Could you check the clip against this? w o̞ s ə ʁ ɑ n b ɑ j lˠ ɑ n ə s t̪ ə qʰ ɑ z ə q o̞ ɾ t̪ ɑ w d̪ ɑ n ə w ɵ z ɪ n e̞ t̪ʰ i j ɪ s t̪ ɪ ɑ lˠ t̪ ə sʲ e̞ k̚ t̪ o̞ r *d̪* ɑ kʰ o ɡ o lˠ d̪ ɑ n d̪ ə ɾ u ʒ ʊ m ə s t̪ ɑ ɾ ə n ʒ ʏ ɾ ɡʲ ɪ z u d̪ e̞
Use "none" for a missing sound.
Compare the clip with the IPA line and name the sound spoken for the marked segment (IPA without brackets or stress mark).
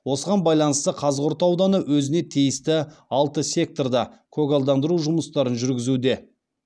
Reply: d̪